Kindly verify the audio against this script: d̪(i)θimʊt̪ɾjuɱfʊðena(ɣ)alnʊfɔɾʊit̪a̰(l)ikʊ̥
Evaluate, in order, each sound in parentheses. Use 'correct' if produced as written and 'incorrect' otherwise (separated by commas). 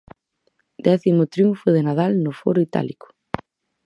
incorrect, incorrect, correct